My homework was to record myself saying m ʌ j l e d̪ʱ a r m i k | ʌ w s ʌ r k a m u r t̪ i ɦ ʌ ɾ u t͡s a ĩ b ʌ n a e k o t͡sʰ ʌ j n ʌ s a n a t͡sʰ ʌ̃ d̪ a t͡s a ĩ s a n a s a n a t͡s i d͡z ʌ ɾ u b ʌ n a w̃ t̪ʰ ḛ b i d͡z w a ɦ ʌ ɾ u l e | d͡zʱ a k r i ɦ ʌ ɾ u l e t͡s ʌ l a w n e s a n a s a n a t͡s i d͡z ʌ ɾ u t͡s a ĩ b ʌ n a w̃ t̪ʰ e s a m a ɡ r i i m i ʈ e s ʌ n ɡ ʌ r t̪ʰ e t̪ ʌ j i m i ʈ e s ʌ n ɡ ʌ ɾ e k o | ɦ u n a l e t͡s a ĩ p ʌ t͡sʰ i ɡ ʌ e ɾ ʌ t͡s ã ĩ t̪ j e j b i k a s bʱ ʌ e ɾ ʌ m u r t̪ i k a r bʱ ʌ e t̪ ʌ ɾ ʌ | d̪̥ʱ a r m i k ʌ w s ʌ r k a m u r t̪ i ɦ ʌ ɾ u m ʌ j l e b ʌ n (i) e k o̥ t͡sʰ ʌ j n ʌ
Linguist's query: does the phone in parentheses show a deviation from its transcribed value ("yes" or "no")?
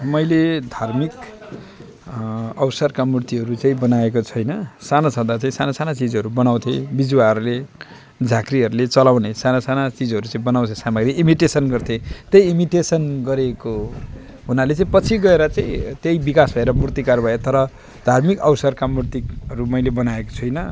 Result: yes